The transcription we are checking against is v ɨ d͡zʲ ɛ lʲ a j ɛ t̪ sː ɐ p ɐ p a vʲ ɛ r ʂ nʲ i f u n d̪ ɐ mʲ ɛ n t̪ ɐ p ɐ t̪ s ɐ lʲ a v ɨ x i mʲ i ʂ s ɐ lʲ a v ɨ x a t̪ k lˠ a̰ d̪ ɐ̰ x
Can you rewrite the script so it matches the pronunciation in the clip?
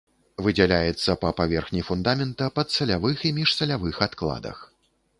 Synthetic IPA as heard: v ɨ d͡zʲ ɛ lʲ a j ɛ t̪ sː ɐ p ɐ p a vʲ ɛ r x nʲ i f u n d̪ a mʲ ɛ n t̪ ɐ p ɐ t̪ s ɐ lʲ a v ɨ x i mʲ i ʂ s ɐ lʲ a v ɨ x a t̪ k lˠ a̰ d̪ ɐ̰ x

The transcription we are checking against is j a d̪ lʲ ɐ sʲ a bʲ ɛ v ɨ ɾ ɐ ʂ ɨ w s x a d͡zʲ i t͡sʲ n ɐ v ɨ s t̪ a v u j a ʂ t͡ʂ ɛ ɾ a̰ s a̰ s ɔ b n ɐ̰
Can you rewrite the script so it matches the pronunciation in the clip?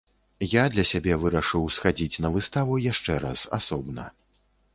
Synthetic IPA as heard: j a d̪ lʲ ɐ sʲ a bʲ ɛ v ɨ ɾ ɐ ʂ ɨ w s x a d͡zʲ i t͡sʲ n ɐ v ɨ s t̪ a v u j a ʂ t͡ʂ ɛ ɾ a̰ s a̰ s ɔ b n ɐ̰

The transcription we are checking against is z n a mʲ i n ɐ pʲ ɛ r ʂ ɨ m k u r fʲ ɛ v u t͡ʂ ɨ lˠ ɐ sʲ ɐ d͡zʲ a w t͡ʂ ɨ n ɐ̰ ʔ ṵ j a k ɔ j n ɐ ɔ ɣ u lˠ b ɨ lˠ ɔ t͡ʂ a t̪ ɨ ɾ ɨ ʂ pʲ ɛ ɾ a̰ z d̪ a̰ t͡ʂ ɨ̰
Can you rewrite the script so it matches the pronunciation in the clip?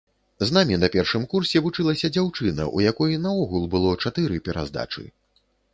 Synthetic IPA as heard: z n a mʲ i n ɐ pʲ ɛ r ʂ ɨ m k u r sʲ ɛ v u t͡ʂ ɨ lˠ ɐ sʲ ɐ d͡zʲ a w t͡ʂ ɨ n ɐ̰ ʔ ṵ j a k ɔ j n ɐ ɔ ɣ u lˠ b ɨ lˠ ɔ t͡ʂ a t̪ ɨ ɾ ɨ pʲ ɛ ɾ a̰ z d̪ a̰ t͡ʂ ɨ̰

